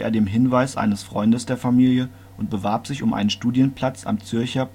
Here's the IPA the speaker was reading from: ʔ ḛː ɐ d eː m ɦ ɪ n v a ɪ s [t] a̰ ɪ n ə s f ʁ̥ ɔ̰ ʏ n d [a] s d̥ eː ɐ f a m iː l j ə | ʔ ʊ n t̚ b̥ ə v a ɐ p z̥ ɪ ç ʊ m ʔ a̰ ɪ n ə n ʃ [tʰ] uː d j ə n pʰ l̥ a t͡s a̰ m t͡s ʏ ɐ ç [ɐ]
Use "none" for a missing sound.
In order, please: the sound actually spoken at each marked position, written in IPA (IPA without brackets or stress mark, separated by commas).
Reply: ʔ, ə, t, ɐ